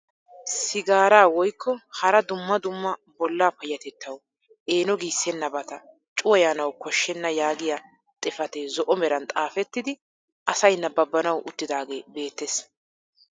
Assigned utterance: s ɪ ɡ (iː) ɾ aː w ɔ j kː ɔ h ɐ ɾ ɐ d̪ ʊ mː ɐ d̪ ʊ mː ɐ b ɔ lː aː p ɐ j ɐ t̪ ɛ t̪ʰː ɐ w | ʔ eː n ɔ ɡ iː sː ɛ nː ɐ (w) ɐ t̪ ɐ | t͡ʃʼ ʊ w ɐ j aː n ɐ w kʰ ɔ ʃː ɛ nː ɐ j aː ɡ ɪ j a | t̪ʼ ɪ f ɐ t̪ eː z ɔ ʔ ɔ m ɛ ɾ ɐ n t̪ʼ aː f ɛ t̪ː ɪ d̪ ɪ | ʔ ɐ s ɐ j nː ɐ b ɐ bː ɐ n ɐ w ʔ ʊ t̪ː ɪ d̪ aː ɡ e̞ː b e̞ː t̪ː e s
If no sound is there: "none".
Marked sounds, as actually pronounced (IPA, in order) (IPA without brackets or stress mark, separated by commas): aː, b